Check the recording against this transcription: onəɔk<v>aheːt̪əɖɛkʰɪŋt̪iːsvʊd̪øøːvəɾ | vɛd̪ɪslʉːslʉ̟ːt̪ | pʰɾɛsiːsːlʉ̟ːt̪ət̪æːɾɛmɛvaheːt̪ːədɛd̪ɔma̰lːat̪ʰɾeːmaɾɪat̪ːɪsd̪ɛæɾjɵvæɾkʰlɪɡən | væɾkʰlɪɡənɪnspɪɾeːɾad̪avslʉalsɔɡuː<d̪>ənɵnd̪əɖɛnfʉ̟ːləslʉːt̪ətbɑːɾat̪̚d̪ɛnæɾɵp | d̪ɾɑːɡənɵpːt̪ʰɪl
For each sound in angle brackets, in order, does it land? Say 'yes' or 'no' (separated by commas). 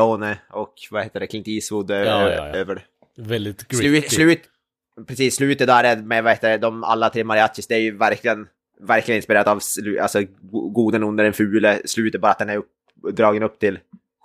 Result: yes, yes